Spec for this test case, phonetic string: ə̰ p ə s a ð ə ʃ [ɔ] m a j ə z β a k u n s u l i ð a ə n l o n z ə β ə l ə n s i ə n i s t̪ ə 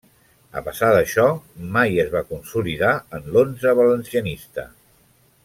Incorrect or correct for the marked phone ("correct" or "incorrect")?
correct